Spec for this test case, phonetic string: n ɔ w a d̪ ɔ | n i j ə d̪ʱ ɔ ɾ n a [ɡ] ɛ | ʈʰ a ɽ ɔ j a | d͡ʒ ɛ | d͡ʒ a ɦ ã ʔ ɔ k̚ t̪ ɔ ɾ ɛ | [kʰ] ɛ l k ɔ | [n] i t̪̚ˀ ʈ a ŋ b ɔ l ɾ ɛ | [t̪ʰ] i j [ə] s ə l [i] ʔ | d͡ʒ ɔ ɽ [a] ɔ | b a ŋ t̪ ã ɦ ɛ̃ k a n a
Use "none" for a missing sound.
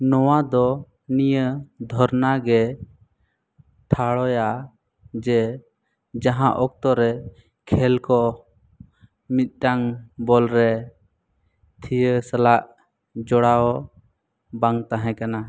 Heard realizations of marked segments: ɡ, kʰ, m, t̪ʰ, ə, a, a

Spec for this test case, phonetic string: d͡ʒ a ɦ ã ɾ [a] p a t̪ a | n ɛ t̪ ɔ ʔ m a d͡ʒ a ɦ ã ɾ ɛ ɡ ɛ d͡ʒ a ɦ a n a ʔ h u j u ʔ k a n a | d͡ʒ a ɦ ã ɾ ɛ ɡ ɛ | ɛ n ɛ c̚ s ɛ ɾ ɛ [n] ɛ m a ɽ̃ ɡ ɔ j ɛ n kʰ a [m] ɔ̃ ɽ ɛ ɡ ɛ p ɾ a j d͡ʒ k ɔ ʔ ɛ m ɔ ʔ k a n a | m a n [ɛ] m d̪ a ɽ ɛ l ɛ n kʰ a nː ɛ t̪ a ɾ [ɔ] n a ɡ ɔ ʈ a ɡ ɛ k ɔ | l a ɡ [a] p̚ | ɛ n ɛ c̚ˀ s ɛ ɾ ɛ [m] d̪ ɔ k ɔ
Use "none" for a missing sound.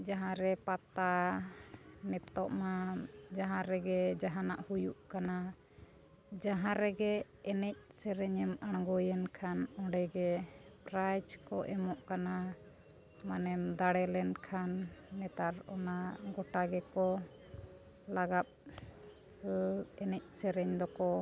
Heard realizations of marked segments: ɛ, ɲ, n, ɛ, ɔ, a, ɲ

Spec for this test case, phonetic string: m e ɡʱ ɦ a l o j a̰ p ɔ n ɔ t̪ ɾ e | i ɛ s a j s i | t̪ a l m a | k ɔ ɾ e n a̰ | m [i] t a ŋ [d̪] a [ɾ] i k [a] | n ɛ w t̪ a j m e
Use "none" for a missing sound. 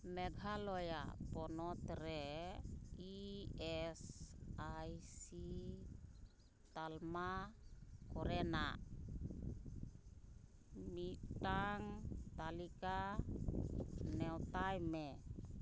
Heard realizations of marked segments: i, t̪, l, a

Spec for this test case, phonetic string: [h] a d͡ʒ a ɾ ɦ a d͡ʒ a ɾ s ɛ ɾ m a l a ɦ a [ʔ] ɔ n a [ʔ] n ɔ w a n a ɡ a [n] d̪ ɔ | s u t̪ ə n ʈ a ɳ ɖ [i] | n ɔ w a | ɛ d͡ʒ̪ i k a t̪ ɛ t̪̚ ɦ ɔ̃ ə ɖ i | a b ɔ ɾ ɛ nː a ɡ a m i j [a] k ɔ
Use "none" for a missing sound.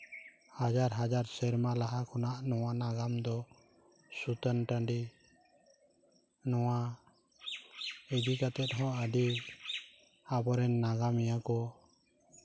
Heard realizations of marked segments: h, k, ʔ, m, i, a

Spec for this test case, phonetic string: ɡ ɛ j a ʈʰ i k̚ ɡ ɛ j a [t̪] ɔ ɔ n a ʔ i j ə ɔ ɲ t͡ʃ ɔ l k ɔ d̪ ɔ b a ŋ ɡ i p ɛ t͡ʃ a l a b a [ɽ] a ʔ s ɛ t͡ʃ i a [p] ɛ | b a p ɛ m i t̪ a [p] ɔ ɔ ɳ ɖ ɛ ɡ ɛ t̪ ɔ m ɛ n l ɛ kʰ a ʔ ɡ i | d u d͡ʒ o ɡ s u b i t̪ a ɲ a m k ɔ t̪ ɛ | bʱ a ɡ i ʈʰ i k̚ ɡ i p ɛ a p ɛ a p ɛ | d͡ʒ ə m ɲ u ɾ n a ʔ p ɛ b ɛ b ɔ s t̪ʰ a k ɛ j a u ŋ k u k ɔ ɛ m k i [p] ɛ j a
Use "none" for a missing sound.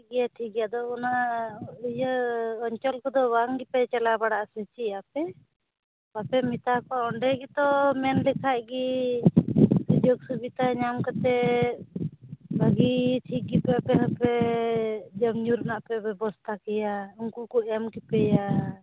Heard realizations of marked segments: d̪, ɽ, p, k, p

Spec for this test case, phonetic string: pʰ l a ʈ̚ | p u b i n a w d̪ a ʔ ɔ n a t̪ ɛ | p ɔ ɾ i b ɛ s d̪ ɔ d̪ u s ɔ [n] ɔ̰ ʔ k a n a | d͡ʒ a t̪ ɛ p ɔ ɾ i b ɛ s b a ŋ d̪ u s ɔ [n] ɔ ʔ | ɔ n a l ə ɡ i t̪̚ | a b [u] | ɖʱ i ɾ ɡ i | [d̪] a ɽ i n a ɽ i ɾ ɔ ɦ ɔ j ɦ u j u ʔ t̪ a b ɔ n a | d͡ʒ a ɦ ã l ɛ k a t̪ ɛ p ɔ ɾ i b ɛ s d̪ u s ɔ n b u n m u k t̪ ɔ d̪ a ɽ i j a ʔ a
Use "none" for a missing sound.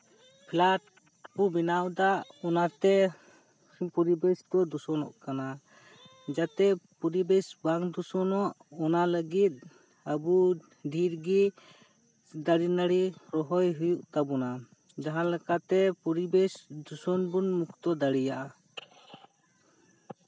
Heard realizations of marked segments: n, n, u, d̪

